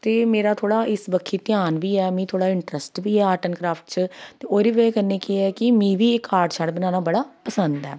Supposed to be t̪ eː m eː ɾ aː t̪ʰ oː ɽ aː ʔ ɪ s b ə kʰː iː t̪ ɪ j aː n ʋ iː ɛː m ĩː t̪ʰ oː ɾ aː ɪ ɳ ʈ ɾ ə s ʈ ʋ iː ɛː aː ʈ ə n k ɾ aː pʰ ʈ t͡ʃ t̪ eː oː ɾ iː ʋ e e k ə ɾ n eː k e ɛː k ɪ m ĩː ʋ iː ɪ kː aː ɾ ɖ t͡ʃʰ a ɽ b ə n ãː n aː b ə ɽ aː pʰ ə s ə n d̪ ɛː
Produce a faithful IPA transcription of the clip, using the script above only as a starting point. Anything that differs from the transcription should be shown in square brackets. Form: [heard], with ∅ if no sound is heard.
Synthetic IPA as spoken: t̪ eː m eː ɾ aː t̪ʰ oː ɽ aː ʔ ɪ s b ə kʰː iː t̪ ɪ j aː n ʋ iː ɛː m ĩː t̪ʰ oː [ɽ] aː ɪ ɳ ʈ ɾ ə s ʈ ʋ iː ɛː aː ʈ ə n k ɾ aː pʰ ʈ t͡ʃ t̪ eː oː ɾ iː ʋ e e k ə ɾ n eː k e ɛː k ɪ m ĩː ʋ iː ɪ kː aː ɾ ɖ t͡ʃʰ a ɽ b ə n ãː n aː b ə ɽ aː [p] ə s ə n d̪ ɛː